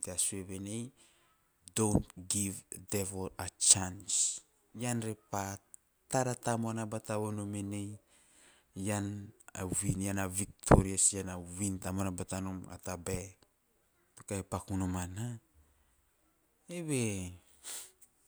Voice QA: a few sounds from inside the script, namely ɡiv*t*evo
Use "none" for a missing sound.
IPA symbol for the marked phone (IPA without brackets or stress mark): d